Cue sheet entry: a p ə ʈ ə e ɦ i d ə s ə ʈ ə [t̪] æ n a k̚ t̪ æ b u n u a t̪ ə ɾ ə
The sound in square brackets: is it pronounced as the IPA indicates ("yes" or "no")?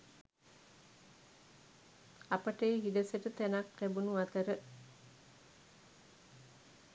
yes